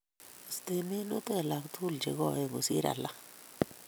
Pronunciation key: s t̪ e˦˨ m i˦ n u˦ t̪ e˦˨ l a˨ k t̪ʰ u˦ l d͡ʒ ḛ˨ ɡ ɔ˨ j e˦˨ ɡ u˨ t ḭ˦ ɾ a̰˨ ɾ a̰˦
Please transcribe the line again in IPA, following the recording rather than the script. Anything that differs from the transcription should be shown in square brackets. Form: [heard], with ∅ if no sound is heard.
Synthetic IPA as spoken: s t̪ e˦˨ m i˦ n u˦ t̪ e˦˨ l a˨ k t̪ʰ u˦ l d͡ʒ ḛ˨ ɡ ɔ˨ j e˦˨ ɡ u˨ [s] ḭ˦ ɾ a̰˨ [l] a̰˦